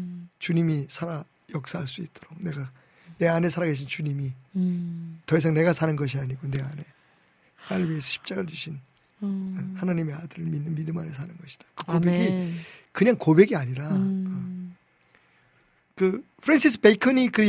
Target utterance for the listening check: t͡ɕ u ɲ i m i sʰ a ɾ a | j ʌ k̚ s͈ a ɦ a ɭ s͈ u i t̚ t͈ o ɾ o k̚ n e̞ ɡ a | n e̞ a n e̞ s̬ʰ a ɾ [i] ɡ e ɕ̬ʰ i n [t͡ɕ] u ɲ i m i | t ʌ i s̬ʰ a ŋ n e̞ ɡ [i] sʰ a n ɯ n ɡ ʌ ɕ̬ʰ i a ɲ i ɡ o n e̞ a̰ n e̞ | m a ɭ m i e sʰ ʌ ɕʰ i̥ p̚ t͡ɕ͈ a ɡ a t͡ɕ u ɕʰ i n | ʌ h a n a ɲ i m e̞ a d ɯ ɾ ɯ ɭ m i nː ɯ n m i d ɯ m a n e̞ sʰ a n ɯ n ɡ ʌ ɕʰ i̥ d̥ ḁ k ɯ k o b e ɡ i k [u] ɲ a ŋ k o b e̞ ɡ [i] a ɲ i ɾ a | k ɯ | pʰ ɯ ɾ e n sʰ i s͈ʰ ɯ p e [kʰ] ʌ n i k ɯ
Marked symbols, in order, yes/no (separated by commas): no, yes, no, no, yes, yes